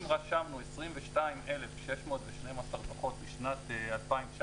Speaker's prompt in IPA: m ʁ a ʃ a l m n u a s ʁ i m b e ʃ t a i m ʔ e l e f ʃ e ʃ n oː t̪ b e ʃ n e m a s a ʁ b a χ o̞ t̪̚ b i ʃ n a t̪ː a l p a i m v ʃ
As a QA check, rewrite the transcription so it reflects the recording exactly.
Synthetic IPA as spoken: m ʁ a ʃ a m n u e s ʁ i m v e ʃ t a i m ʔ e l e f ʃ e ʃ m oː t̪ v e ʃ n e m a s a ʁ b a χ o̞ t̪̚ b i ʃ n a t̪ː a l p a i m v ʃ